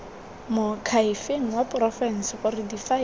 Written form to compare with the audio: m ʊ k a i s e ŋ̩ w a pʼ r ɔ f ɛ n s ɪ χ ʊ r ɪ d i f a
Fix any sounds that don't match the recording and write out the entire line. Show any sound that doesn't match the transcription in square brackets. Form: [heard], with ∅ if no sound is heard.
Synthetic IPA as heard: m ʊ [kʰ] a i [f] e ŋ̩ w a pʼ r ɔ f ɛ n s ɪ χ ʊ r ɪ d i f a